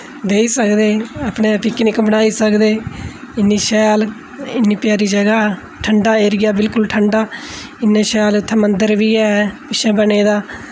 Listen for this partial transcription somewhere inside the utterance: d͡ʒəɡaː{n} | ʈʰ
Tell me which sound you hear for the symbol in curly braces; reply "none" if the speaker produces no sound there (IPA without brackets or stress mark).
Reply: none